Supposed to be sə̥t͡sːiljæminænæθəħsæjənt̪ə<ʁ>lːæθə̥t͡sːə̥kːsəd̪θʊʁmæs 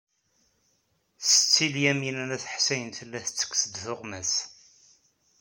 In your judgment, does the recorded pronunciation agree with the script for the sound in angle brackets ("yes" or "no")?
no